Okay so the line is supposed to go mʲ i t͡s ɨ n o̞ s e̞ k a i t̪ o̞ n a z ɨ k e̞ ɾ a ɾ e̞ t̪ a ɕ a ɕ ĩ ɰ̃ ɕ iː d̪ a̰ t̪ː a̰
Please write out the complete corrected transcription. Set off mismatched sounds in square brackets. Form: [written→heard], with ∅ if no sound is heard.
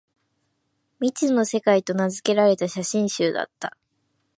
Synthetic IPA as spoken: mʲ i t͡s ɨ n o̞ s e̞ k a i t̪ o̞ n a z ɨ k e̞ ɾ a ɾ e̞ t̪ a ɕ a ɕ ĩ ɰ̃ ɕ [iː→ɨː] d̪ a̰ t̪ː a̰